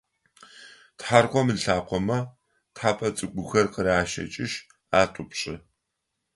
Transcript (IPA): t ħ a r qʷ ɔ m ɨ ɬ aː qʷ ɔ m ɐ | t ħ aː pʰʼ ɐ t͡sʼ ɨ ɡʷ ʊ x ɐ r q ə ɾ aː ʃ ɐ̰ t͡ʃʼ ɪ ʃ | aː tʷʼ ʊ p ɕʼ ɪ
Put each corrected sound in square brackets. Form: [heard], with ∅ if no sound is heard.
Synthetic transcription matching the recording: t ħ a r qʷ ɔ m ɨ ɬ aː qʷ ɔ m ɐ | t ħ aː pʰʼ ɐ t͡sʼ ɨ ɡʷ ʊ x ɐ r q ə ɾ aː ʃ ɐ̰ t͡ʃʼ ɪ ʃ | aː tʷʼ ʊ p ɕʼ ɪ